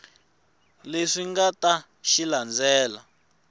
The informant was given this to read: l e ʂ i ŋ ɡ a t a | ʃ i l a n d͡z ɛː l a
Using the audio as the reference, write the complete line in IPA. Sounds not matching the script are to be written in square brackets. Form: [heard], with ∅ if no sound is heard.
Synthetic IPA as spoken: l e ʂ i ŋ ɡ a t a | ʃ i l a n d͡z ɛː l a